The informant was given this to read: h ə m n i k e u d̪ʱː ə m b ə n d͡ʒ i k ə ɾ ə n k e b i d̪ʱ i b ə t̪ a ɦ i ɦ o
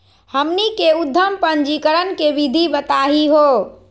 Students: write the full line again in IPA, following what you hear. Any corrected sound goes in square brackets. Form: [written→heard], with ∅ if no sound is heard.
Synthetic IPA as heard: h ə m n i k e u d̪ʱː ə m [b→p] ə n d͡ʒ i k ə ɾ ə n k e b i d̪ʱ i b ə t̪ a ɦ i ɦ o